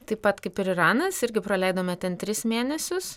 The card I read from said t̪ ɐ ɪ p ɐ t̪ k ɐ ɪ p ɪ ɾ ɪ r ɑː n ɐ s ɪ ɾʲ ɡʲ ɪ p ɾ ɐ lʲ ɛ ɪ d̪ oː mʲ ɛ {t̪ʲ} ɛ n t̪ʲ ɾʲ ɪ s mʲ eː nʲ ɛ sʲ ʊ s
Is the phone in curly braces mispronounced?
no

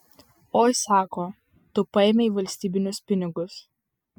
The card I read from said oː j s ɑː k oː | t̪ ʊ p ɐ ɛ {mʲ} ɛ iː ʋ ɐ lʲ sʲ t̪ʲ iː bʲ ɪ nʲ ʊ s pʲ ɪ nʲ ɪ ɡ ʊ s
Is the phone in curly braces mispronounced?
no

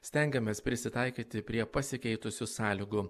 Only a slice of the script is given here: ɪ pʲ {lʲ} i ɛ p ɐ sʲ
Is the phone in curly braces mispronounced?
yes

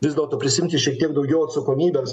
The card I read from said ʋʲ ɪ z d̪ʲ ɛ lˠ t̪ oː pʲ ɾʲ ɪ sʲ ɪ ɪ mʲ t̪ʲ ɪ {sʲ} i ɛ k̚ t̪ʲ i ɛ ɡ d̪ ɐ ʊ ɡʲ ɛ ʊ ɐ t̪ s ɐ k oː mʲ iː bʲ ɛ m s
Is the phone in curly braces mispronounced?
yes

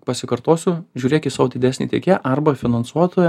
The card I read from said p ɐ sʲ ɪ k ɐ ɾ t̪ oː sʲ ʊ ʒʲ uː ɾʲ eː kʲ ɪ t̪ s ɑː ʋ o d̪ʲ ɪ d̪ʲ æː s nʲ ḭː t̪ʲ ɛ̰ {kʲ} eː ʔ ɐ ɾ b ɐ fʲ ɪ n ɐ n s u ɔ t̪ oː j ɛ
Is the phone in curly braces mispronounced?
no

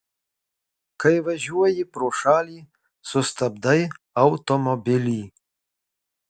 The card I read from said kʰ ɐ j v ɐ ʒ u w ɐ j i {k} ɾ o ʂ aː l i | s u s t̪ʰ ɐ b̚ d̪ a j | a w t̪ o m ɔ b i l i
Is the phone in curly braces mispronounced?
yes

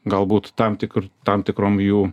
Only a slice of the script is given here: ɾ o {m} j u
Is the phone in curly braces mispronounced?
no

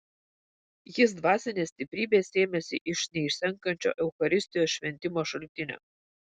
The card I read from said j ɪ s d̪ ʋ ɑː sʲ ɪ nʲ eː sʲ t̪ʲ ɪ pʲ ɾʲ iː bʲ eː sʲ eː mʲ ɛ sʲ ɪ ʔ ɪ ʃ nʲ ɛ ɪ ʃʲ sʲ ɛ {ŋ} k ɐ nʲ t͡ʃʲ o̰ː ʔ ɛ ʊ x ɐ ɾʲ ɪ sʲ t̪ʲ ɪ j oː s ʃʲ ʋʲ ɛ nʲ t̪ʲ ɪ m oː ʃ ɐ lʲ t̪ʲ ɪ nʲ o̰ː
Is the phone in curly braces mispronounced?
no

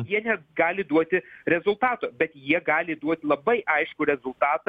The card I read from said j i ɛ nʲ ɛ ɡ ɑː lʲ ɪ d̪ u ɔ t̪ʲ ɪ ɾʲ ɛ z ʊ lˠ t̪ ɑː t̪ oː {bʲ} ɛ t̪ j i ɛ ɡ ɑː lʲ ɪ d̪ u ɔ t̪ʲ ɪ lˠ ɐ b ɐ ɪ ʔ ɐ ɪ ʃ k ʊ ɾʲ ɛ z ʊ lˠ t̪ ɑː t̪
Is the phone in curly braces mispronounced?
no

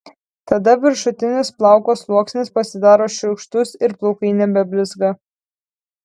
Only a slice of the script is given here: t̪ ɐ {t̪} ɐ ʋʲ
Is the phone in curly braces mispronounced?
yes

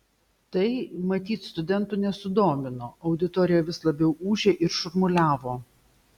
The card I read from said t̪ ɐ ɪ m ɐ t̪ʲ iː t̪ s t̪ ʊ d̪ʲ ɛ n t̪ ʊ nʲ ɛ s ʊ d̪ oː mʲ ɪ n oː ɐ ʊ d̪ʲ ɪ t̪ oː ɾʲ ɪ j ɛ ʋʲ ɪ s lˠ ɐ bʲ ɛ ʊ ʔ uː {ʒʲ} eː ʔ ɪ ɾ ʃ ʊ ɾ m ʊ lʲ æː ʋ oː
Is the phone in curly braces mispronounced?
no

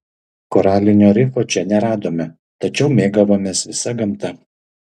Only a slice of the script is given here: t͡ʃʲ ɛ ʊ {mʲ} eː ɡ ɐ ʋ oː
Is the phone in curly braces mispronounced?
no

